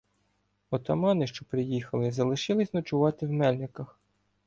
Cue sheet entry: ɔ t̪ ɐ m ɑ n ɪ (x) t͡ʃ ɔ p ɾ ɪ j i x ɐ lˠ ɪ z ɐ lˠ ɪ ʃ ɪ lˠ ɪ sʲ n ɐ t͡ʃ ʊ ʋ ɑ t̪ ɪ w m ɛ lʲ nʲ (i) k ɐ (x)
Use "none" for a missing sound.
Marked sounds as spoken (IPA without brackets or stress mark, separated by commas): ʃ, ɪ, x